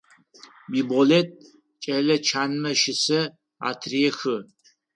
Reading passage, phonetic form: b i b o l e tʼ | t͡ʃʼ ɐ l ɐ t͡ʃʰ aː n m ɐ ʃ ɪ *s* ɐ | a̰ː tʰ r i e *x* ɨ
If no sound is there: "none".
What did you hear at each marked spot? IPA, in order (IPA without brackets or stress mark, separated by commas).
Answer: s, x